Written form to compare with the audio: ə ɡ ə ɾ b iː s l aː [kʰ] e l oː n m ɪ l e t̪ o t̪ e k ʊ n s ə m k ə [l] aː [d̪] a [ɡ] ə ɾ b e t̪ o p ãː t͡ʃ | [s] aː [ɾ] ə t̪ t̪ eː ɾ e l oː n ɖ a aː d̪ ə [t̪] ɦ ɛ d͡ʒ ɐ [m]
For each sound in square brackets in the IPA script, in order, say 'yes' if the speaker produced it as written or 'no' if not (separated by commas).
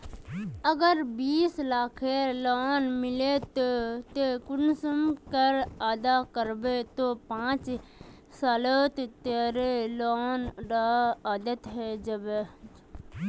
yes, no, yes, no, yes, no, yes, no